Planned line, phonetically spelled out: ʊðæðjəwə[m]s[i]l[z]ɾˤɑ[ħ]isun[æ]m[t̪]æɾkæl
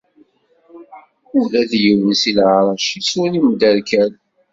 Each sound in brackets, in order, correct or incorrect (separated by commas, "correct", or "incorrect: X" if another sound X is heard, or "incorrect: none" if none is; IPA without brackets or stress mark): incorrect: n, correct, incorrect: ʕ, incorrect: ʃ, incorrect: i, incorrect: d̪